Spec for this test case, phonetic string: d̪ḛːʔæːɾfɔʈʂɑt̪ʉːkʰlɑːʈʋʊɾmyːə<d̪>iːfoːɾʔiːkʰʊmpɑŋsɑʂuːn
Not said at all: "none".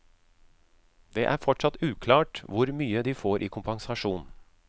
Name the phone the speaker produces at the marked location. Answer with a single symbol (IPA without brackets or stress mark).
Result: d̪